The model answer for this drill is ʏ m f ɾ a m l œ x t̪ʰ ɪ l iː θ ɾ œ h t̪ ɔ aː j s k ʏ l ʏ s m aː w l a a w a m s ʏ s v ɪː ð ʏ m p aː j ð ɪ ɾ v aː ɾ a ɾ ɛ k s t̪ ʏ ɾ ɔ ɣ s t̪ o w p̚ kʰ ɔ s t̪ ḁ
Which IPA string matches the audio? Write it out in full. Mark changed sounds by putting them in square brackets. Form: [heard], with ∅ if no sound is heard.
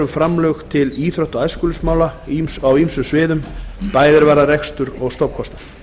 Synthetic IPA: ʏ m f ɾ a m l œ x t̪ʰ ɪ l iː θ ɾ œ h t̪ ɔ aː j s k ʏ l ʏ s m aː w l a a w [i] m s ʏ s v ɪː ð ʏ m p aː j ð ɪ ɾ v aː ɾ a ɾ ɛ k s t̪ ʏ ɾ ɔ ɣ s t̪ o w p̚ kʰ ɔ s t̪ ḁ